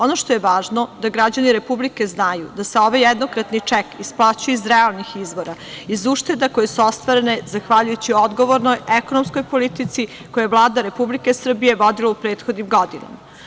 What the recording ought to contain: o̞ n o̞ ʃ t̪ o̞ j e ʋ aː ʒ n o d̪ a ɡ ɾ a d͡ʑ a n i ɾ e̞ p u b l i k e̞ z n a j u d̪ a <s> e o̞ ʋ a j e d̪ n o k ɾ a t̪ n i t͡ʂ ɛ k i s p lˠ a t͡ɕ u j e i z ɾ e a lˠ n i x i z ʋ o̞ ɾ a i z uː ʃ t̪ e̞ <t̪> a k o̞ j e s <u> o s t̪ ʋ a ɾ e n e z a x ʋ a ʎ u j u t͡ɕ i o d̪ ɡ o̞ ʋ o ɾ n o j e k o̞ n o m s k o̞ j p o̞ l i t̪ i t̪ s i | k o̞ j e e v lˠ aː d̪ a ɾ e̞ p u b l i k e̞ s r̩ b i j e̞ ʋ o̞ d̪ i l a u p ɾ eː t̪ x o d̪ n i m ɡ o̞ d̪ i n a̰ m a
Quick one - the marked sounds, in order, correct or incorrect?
correct, incorrect: d̪, correct

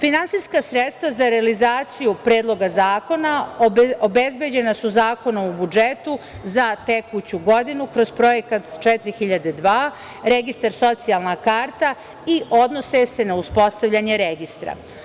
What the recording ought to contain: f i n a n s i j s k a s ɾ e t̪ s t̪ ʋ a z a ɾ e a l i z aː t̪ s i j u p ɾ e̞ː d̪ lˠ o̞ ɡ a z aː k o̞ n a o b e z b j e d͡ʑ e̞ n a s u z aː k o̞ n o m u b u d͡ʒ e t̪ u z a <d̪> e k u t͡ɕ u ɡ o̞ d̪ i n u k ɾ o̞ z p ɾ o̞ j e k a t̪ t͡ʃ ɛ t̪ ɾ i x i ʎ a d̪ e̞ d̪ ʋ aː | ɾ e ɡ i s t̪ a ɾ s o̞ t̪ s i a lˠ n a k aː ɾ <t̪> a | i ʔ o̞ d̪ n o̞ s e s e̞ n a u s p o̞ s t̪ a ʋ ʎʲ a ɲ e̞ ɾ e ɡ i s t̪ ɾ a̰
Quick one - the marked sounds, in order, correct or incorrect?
incorrect: t̪, correct

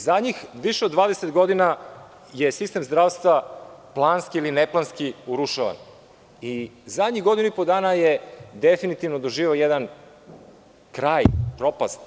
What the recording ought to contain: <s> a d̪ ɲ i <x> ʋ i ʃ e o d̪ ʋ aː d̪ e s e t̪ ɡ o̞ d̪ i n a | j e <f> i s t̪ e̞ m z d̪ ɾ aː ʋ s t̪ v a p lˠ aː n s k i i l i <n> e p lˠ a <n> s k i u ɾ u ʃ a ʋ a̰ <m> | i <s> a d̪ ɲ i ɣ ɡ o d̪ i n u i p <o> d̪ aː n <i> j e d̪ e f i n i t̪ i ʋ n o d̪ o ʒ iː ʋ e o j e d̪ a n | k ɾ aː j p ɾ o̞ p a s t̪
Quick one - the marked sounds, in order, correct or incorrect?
incorrect: z, correct, incorrect: s, correct, correct, incorrect: n, incorrect: z, correct, incorrect: a

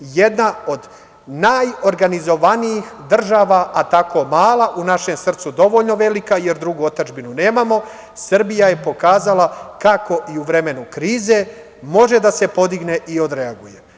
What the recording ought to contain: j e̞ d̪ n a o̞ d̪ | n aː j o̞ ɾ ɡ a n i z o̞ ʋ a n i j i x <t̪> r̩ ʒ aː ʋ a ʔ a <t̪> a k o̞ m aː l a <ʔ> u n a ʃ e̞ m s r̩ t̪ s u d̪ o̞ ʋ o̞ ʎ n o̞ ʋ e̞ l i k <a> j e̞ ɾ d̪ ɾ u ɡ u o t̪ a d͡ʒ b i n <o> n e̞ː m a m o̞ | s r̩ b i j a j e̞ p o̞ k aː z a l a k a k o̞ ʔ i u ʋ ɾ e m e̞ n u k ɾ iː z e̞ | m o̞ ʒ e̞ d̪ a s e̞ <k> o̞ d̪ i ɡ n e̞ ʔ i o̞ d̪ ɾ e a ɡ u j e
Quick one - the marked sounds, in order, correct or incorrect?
incorrect: d̪, correct, correct, correct, incorrect: u, incorrect: p

